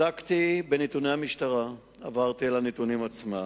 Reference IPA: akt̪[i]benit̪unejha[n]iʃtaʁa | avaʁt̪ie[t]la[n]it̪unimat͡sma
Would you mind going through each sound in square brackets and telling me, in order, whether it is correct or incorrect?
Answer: correct, incorrect, incorrect, correct

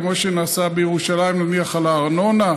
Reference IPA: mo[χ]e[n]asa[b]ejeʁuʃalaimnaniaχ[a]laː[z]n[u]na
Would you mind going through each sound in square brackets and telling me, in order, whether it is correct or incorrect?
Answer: incorrect, correct, correct, correct, incorrect, incorrect

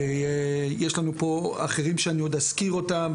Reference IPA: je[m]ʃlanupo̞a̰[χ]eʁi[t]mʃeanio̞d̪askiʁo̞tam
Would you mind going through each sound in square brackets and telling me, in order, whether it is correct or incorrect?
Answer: incorrect, correct, incorrect

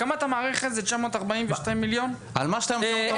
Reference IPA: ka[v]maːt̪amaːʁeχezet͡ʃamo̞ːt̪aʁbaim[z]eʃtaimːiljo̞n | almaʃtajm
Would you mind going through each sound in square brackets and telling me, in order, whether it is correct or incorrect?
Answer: incorrect, incorrect

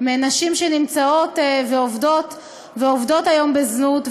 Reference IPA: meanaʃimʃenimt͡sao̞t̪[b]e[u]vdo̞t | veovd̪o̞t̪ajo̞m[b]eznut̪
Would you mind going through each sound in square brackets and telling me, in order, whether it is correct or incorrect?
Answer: incorrect, incorrect, correct

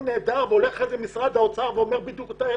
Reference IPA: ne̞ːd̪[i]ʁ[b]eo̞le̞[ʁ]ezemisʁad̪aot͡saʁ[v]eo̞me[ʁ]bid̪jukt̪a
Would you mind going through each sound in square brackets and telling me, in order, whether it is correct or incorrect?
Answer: incorrect, incorrect, incorrect, correct, correct

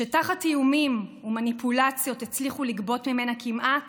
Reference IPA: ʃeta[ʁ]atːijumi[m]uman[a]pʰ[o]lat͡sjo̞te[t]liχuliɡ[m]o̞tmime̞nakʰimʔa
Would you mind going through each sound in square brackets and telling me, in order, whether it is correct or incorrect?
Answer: incorrect, correct, incorrect, incorrect, incorrect, incorrect

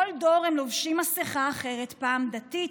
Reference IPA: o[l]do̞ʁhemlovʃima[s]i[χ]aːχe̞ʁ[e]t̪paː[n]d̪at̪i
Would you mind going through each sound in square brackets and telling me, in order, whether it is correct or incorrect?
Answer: correct, correct, correct, correct, incorrect

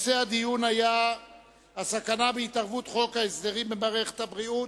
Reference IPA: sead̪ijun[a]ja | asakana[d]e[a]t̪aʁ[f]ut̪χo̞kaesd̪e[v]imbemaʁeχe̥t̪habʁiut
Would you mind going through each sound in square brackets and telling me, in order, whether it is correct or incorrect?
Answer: correct, incorrect, incorrect, incorrect, incorrect

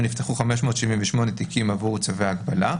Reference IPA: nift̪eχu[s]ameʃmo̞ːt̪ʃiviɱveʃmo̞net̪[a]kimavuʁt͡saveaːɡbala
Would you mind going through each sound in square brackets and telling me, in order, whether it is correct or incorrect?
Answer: incorrect, incorrect

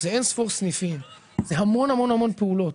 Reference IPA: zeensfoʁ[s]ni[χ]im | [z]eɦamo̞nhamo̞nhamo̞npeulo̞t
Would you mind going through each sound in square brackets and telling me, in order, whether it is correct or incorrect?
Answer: correct, incorrect, correct

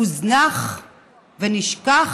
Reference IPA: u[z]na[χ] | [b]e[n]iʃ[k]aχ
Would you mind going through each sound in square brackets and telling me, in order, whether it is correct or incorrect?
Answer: correct, correct, incorrect, correct, correct

